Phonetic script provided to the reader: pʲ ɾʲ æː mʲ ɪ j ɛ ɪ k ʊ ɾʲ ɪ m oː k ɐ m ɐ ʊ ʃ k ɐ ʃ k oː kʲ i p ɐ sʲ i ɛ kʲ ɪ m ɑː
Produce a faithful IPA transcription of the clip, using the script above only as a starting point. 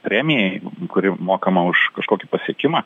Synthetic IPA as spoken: pʲ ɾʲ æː mʲ ɪ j ɛ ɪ k ʊ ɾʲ ɪ m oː k ɐ m ɐ ʊ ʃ k ɐ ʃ k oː kʲ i p ɐ sʲ i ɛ kʲ ɪ m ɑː